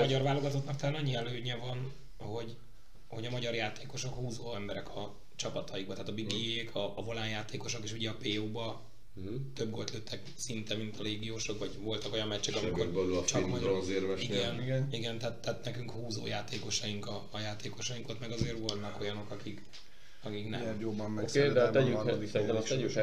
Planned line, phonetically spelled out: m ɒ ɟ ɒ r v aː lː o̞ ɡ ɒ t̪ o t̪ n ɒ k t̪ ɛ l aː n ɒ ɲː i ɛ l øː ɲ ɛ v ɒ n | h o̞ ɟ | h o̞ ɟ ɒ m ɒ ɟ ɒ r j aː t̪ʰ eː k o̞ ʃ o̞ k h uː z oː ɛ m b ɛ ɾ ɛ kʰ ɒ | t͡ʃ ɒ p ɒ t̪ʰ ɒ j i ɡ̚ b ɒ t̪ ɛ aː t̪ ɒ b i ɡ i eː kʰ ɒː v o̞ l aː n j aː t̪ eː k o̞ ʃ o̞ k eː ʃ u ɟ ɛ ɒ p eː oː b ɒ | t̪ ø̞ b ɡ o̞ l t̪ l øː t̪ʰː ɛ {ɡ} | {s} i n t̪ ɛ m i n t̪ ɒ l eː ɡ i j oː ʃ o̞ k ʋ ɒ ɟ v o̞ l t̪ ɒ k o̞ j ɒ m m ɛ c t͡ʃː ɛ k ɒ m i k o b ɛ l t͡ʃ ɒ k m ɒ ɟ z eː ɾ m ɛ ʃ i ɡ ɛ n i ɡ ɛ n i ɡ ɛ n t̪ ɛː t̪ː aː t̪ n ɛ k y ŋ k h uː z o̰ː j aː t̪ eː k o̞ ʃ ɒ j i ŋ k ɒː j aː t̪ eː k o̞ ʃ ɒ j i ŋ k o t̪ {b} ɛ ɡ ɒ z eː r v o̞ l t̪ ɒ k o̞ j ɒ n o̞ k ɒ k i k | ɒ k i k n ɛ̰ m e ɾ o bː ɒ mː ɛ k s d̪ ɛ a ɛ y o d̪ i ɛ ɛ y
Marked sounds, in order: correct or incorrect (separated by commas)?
incorrect, correct, incorrect